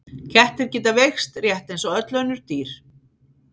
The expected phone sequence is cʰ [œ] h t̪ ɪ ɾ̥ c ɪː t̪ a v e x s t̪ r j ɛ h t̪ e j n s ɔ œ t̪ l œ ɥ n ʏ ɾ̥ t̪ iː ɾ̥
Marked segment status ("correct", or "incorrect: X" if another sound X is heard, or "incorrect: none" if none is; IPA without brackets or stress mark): incorrect: ɛ